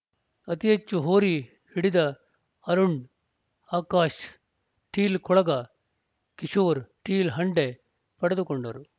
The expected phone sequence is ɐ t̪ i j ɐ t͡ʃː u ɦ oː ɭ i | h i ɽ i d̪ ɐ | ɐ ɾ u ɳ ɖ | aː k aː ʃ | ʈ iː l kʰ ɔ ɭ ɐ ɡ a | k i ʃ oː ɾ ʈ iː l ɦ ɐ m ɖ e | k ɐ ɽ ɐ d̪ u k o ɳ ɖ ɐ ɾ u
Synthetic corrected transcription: ɐ t̪ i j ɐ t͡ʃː u ɦ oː ɾ i | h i ɽ i d̪ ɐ | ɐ ɾ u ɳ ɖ | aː k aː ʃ | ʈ iː l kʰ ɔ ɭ ɐ ɡ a | k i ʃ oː ɾ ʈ iː l ɦ ɐ ɳ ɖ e | p ɐ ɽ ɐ d̪ u k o ɳ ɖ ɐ ɾ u